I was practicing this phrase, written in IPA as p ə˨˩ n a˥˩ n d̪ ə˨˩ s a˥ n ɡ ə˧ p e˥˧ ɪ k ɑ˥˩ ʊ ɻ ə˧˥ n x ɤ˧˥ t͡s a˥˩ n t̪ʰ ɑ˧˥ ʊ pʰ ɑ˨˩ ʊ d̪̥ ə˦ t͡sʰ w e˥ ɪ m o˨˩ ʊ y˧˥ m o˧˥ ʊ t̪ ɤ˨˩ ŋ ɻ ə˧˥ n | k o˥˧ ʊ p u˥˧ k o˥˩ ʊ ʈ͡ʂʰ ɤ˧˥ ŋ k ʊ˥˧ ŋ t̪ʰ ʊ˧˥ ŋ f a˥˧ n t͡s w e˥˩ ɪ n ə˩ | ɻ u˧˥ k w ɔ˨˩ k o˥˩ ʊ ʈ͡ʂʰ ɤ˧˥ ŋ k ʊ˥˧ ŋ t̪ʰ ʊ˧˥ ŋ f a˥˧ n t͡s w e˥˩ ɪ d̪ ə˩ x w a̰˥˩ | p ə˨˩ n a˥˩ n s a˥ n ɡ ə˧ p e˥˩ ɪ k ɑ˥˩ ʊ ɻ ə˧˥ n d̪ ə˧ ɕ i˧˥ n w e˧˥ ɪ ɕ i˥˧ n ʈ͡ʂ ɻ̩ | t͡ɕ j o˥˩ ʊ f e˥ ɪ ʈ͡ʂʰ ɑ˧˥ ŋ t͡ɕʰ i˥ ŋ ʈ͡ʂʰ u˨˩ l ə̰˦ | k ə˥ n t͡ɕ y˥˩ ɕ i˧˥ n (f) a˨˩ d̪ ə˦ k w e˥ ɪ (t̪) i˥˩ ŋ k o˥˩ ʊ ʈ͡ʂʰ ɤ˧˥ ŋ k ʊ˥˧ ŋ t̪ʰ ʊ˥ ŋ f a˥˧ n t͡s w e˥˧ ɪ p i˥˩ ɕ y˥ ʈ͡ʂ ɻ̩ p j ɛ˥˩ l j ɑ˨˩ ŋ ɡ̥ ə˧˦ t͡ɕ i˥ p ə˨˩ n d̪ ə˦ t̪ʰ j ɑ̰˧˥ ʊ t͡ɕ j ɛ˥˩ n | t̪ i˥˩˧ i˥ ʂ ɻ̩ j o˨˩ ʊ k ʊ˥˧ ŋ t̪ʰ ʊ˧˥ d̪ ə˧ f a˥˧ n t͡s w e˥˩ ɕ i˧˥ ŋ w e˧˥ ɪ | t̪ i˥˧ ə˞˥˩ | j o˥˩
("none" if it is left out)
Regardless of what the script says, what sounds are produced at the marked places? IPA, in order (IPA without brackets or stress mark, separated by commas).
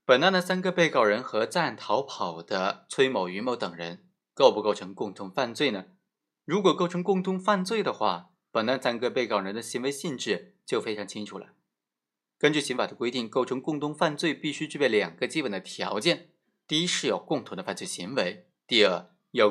f, t̪